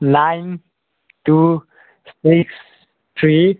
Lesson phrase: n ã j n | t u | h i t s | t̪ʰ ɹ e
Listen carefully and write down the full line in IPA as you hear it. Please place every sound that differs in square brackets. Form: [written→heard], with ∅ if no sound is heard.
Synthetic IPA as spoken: n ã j n | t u | [h→s] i [t→k] s | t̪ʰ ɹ [e→i]